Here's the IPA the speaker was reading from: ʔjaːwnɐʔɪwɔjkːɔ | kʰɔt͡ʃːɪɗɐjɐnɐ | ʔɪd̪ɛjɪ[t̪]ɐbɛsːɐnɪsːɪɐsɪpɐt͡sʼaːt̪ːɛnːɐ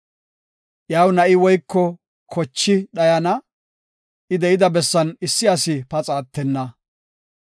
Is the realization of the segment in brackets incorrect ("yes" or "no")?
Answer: yes